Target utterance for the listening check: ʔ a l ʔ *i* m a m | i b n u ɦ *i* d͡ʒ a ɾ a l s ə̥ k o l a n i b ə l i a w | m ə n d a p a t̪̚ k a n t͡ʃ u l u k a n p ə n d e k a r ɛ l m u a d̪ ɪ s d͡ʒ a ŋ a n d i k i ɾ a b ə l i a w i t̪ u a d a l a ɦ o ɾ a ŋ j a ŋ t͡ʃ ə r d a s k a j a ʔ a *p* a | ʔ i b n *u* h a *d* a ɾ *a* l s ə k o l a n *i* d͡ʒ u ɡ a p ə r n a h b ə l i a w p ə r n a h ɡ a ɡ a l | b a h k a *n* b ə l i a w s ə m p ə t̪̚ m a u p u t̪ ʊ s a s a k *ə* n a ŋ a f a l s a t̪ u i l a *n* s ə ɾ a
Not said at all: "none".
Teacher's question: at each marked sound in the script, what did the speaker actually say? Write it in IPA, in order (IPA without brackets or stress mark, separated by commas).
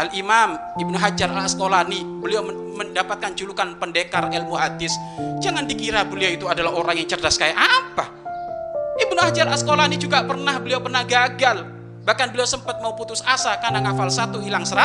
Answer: i, a, p, u, d͡ʒ, a, i, n, a, ŋ